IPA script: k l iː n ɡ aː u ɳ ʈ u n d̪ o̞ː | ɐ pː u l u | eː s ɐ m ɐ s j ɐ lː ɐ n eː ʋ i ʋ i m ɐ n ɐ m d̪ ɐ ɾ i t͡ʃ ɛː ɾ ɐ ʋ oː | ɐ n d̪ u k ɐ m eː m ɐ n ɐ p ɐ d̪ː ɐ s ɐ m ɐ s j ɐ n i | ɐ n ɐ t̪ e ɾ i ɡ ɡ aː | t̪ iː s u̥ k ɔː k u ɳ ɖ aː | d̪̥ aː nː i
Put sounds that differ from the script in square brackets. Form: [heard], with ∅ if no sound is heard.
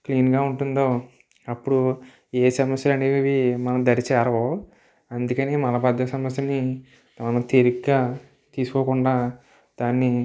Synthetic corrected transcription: k l iː n ɡ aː u ɳ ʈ u n d̪ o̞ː | ɐ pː u [ɽ] u | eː s ɐ m ɐ s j ɐ [l] ɐ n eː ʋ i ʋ i m ɐ n ɐ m d̪ ɐ ɾ i t͡ʃ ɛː ɾ ɐ ʋ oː | ɐ n d̪ u k ɐ [n] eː m ɐ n ɐ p ɐ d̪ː ɐ s ɐ m ɐ s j ɐ n i | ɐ n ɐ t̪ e ɾ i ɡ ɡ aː | t̪ iː s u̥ k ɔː k u ɳ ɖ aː | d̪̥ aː nː i